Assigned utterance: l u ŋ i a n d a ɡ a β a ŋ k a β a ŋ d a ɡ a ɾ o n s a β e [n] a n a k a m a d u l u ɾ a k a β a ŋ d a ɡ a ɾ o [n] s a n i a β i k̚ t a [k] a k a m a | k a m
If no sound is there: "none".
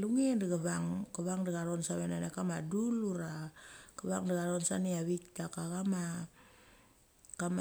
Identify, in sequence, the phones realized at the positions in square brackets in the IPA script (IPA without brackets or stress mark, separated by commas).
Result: n, n, k